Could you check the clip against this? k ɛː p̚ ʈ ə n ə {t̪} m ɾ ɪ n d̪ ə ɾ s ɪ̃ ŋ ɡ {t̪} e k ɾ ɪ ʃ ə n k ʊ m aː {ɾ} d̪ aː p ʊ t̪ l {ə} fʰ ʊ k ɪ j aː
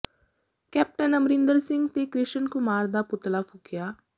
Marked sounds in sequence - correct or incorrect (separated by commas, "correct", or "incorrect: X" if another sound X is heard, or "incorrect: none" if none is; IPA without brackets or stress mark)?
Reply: incorrect: none, correct, correct, incorrect: a